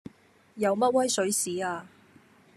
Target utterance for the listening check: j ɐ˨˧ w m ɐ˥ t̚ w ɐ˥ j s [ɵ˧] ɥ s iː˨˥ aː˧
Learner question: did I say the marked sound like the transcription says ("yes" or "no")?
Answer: no